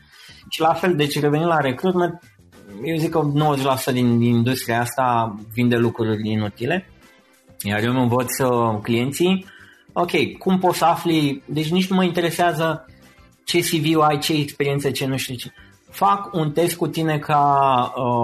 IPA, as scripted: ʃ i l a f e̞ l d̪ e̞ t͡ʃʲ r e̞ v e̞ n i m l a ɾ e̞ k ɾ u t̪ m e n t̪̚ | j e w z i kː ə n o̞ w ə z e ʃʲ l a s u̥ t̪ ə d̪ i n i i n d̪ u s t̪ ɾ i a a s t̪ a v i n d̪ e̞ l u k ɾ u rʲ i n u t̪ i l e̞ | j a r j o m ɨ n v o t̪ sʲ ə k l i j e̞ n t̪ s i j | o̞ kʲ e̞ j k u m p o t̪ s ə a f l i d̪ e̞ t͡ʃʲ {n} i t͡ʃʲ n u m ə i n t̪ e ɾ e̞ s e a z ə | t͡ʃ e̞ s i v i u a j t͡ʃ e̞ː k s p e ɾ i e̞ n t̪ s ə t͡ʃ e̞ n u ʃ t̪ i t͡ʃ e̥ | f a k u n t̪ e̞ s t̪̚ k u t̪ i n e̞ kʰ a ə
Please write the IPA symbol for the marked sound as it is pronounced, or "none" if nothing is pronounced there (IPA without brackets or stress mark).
n